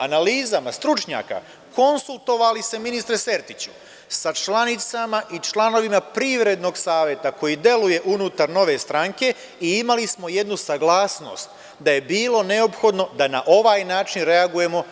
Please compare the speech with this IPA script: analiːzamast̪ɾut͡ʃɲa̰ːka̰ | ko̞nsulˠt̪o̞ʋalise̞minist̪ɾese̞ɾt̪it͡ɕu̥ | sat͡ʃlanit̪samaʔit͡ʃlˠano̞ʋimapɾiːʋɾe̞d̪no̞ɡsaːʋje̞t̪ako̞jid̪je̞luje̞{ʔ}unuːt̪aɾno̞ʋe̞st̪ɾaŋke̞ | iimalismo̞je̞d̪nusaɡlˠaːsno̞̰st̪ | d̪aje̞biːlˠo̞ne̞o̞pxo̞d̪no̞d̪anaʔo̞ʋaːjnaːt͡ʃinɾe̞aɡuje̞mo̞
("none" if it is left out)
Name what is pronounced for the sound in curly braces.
ʔ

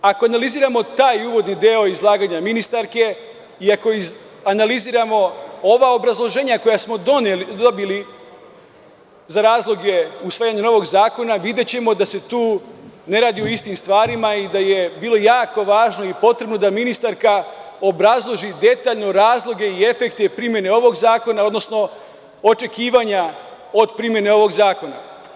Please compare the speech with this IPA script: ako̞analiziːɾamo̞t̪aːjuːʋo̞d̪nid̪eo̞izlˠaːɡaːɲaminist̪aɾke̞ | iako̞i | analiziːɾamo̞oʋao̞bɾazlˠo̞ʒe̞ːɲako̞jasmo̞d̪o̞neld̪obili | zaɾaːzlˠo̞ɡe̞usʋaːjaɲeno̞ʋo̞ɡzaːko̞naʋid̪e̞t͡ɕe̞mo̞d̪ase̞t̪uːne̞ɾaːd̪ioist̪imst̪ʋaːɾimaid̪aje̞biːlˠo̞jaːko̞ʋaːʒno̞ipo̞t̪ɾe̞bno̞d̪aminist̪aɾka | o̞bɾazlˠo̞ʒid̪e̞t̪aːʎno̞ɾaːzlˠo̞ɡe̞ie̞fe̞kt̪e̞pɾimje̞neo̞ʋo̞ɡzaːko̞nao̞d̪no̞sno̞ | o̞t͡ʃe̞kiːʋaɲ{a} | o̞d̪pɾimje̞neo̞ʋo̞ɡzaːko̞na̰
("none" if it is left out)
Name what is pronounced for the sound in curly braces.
a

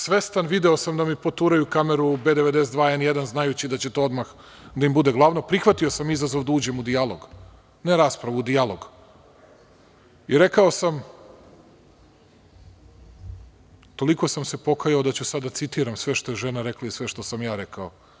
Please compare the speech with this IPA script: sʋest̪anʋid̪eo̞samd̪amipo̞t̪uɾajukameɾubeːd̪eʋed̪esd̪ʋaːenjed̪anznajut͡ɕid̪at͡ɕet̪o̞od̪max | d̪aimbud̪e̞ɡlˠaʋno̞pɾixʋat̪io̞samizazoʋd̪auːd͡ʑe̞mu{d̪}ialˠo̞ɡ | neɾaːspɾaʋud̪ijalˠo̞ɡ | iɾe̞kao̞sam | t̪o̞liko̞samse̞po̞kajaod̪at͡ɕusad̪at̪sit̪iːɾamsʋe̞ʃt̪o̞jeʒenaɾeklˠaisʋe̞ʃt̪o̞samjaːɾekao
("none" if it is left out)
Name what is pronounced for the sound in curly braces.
d̪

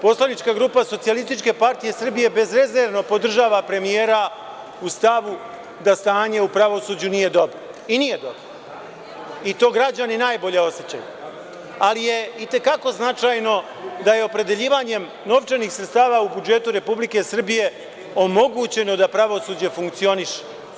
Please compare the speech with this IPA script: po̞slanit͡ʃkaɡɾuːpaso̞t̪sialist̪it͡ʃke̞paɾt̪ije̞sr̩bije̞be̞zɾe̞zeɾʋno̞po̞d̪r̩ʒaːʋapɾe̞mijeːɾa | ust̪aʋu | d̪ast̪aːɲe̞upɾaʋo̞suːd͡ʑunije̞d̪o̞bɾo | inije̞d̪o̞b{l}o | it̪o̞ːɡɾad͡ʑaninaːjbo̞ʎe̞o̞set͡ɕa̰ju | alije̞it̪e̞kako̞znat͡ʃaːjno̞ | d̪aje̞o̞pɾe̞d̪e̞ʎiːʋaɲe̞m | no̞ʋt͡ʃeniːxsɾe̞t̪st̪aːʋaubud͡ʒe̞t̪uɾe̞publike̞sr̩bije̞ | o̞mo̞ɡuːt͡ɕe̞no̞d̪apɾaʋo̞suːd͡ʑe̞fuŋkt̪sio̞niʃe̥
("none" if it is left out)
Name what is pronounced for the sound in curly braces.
ɾ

